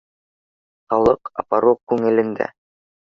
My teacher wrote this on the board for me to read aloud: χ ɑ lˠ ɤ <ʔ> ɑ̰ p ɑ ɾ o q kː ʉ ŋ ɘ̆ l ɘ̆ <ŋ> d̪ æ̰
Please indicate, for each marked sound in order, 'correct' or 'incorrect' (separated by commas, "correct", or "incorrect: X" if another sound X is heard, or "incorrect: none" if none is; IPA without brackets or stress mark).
incorrect: q, incorrect: n